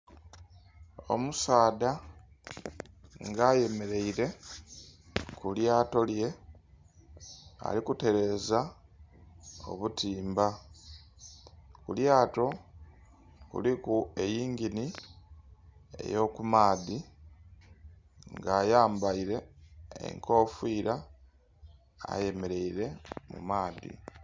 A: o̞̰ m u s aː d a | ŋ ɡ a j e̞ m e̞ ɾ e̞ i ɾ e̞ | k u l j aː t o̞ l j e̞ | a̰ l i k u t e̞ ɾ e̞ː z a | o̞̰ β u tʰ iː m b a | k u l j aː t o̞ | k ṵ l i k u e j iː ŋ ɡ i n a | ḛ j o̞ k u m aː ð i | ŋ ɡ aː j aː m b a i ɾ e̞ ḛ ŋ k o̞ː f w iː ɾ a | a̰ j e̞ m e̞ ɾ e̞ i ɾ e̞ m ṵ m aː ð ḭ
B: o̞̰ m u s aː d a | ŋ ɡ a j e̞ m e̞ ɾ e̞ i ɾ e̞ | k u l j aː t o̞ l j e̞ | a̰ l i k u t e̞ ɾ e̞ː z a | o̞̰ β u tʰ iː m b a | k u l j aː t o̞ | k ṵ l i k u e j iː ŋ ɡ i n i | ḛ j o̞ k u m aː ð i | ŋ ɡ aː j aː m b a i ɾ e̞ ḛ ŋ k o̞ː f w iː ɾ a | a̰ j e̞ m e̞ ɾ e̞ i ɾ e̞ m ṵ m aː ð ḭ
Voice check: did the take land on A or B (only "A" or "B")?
B